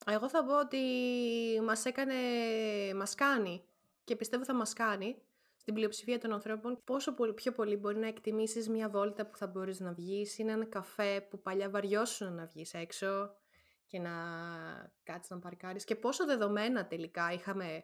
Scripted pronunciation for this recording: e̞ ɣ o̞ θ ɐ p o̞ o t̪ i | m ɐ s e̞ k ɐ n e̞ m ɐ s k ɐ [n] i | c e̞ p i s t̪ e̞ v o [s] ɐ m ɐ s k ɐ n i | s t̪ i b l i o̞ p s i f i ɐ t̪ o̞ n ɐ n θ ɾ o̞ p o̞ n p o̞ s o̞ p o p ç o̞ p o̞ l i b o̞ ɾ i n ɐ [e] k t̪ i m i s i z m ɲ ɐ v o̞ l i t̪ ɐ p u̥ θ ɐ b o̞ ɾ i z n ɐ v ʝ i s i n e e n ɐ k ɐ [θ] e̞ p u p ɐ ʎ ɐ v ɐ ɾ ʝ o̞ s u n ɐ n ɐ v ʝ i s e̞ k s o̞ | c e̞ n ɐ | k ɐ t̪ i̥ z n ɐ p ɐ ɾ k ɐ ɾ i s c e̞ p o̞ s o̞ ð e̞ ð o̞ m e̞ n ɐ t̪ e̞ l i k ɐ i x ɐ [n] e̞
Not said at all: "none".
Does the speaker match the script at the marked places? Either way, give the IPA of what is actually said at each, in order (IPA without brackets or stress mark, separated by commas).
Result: n, θ, e, f, m